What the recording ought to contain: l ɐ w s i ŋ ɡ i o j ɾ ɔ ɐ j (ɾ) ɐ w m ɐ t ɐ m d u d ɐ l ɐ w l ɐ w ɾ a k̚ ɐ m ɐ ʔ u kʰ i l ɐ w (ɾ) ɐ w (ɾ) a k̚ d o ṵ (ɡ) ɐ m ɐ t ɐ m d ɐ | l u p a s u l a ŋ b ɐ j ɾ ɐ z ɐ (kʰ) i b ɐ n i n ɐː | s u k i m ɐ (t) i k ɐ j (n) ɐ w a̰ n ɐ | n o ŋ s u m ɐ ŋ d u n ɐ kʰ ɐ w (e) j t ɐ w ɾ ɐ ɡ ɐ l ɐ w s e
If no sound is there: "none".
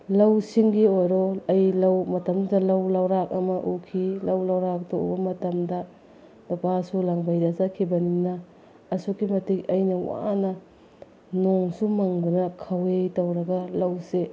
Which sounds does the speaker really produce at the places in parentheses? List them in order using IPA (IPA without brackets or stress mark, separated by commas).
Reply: l, l, ɾ, b, kʰ, t, n, e